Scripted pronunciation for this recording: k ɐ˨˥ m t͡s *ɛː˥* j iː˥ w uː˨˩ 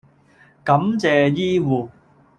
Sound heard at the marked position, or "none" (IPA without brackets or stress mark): ɛː˨